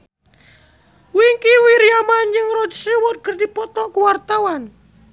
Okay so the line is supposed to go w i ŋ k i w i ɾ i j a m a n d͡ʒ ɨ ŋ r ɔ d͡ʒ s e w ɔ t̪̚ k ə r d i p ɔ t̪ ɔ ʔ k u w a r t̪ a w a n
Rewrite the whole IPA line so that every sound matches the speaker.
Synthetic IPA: w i ŋ k i w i ɾ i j a m a n d͡ʒ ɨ ŋ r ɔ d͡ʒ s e w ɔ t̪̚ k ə r d i p ɔ t̪ ɔ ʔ k u w a r t̪ a w a n